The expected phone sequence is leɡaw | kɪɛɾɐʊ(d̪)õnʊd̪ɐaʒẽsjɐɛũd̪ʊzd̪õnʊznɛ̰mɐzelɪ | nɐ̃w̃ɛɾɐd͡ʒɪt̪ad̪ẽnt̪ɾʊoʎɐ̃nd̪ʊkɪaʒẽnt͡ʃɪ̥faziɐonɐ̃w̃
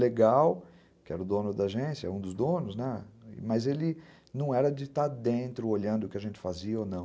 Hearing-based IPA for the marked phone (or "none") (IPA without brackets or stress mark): d̪